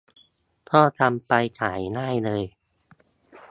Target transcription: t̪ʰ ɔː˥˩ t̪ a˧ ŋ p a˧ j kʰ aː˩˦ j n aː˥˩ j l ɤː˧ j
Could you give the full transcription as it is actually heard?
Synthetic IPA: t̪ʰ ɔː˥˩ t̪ a˧ m p a˧ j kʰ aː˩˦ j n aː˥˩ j l ɤː˧ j